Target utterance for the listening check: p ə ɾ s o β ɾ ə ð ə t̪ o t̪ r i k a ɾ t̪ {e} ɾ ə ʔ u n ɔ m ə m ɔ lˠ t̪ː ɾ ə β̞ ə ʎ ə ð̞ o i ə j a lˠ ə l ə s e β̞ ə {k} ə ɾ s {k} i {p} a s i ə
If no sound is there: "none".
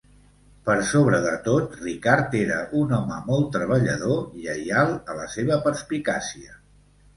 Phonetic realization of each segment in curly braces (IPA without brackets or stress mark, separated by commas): e, p, p, k